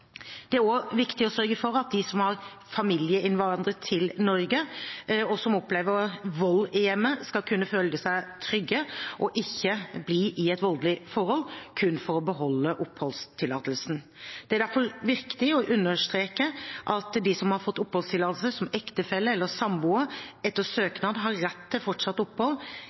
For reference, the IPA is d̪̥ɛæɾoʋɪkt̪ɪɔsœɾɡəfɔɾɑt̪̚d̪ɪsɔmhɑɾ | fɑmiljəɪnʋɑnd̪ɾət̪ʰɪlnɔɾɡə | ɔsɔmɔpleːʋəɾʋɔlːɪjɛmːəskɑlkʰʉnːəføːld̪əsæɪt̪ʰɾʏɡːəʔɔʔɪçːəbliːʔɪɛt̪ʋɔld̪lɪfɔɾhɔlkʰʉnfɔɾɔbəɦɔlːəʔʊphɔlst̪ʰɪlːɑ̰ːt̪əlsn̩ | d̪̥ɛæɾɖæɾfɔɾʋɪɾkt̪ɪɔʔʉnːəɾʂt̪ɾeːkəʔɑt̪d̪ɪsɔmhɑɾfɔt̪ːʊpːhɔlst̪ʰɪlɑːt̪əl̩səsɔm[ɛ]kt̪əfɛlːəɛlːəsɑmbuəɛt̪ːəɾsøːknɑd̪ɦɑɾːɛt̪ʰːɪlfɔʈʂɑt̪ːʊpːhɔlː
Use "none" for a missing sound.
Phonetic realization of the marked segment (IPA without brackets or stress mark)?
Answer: ɛ